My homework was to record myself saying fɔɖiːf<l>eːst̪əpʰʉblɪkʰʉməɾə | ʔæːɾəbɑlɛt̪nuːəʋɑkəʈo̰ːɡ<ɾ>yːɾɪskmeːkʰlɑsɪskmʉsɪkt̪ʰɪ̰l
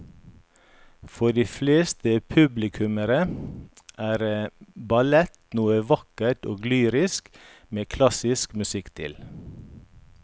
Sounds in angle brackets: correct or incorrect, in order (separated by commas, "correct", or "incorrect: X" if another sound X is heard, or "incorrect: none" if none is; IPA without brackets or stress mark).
correct, incorrect: l